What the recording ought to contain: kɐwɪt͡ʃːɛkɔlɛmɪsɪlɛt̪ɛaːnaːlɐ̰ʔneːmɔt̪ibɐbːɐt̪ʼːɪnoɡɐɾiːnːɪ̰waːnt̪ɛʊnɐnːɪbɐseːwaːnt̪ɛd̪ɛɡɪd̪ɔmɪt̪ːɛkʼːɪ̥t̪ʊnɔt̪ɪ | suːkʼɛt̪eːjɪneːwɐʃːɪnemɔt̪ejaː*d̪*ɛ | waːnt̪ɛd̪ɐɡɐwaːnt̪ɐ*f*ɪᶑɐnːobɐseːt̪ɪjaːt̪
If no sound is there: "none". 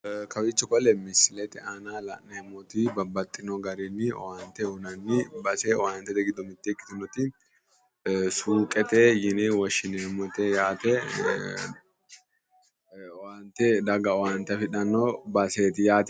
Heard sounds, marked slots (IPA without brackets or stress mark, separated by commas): t̪, f